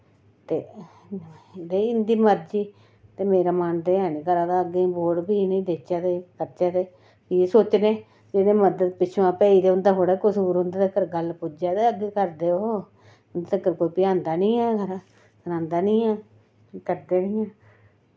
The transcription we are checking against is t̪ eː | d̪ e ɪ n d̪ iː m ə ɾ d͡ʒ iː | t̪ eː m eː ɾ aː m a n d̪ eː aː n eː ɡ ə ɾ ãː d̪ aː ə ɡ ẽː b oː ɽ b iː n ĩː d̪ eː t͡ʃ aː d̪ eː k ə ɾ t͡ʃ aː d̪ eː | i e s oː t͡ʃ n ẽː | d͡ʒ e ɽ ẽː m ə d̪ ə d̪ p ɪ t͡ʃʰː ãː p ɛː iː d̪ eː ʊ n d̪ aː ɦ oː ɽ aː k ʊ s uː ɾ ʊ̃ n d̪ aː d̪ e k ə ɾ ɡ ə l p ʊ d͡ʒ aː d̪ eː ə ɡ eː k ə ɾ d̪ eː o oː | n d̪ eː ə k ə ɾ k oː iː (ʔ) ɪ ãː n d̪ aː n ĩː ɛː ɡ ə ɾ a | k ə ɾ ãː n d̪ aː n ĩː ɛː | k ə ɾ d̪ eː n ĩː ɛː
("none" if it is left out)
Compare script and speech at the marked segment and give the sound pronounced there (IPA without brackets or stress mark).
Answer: p